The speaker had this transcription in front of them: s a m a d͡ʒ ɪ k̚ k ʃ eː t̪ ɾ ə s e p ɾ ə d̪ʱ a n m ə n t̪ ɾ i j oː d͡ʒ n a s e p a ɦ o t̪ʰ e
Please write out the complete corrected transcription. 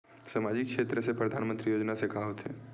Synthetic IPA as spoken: s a m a d͡ʒ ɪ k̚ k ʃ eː t̪ ɾ ə s e p ɾ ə d̪ʱ a n m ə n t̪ ɾ i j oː d͡ʒ n a s e k a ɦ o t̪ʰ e

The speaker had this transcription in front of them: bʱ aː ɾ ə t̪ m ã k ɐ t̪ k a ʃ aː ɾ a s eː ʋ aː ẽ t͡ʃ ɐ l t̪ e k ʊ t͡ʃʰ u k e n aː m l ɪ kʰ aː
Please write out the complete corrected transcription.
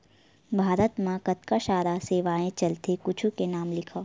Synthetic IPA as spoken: bʱ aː ɾ ə t̪ m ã k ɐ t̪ k a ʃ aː ɾ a s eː ʋ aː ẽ t͡ʃ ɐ l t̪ e k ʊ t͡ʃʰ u k e n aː m l ɪ kʰ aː

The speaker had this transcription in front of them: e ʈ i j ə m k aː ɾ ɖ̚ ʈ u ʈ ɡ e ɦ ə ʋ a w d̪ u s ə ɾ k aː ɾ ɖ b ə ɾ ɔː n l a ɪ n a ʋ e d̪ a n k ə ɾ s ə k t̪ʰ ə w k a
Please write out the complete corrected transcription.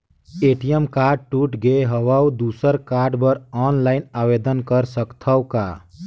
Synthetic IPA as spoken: e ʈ i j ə m k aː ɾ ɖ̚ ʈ u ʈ ɡ e ɦ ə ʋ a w d̪ u s ə ɾ k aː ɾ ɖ b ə ɾ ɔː n l a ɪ n a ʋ e d̪ ə n k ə ɾ s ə k t̪ʰ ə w k a

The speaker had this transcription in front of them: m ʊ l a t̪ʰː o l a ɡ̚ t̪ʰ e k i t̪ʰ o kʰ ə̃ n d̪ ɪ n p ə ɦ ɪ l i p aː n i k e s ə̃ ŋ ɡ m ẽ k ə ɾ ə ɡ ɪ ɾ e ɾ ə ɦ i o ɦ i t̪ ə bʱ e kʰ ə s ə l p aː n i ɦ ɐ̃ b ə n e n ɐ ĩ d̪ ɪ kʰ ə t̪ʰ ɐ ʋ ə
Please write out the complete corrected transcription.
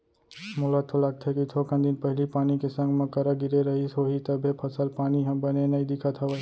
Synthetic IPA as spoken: m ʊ l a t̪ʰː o l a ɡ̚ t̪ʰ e k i t̪ʰ o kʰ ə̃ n d̪ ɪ n p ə ɦ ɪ l i p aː n i k e s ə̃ ŋ ɡ m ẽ k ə ɾ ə ɡ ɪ ɾ e ɾ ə ɦ i o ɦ i t̪ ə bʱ e pʰ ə s ə l p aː n i ɦ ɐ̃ b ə n e n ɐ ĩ d̪ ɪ kʰ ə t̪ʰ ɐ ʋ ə

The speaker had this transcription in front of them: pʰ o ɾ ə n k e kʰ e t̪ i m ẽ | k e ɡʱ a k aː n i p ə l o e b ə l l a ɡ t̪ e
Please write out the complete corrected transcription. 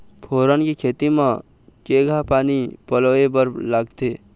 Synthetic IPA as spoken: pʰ o ɾ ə n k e kʰ e t̪ i m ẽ | k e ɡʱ a p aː n i p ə l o e b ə ɾ l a ɡ t̪ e

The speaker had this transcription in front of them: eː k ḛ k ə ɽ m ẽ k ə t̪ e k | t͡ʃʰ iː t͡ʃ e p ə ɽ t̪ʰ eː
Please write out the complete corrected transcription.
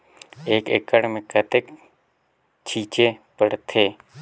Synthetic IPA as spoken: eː k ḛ k ə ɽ m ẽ k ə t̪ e k | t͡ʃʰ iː t͡ʃ e p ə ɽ t̪ʰ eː

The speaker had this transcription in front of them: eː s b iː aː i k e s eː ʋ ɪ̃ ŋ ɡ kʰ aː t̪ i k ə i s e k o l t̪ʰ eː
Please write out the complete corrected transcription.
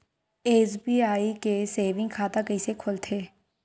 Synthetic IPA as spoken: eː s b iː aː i k e s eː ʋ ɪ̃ ŋ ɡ kʰ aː t̪ a k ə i s e kʰ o l t̪ʰ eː

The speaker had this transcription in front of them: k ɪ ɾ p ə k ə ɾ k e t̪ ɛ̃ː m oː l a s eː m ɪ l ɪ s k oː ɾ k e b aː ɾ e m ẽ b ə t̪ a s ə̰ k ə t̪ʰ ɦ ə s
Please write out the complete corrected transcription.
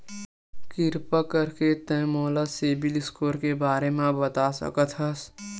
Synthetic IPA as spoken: k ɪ ɾ p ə k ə ɾ k e t̪ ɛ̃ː m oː l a s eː b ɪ l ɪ s k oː ɾ k e b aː ɾ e m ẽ b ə t̪ a s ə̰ k ə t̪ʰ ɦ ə s

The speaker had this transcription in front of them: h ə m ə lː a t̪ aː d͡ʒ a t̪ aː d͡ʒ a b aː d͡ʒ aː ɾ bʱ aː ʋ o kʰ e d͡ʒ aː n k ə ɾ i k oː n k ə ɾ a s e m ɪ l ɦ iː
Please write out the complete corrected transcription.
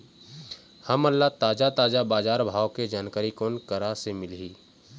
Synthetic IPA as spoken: h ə m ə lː a t̪ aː d͡ʒ a t̪ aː d͡ʒ a b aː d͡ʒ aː ɾ bʱ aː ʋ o k e d͡ʒ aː n k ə ɾ i k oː n k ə ɾ a s e m ɪ l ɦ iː

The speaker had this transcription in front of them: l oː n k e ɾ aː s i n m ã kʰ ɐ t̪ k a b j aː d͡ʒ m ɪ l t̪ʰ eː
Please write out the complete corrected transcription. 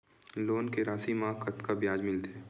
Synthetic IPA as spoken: l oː n k e ɾ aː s i m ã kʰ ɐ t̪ k a b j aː d͡ʒ m ɪ l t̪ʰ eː

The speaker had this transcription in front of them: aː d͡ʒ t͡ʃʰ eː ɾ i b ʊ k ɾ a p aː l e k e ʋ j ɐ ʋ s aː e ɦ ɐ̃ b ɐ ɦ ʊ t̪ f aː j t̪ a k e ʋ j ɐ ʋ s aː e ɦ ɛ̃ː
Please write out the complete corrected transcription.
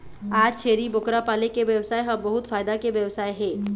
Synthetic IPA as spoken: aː d͡ʒ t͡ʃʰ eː ɾ i b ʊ k ɾ a p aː l e k e ʋ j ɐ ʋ s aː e ɦ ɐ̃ b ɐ ɦ ʊ t̪ f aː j d̪ a k e ʋ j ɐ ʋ s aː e ɦ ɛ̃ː

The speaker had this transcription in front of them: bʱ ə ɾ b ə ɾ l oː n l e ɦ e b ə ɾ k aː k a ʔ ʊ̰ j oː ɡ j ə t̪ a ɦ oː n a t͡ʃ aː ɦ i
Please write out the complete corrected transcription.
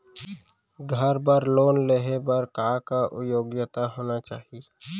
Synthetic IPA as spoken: ɡʱ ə ɾ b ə ɾ l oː n l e ɦ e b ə ɾ k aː k a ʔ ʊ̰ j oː ɡ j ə t̪ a ɦ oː n a t͡ʃ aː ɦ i

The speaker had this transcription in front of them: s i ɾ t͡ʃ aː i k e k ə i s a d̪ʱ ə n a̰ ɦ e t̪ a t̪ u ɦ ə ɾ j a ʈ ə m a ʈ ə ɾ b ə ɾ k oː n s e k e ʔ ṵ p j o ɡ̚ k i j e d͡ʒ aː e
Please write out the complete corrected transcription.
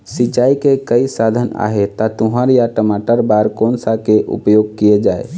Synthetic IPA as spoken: s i t͡ʃ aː i k e k ə i s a d̪ʱ ə n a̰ ɦ e t̪ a t̪ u ɦ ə ɾ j a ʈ ə m a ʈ ə ɾ b a ɾ k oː n s a k e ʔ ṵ p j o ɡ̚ k i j e d͡ʒ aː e

